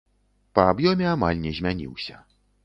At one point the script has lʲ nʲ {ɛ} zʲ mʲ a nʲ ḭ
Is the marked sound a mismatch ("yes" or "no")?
no